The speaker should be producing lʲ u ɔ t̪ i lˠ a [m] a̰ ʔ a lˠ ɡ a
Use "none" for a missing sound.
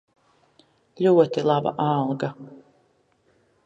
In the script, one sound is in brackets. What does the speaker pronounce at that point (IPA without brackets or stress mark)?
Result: b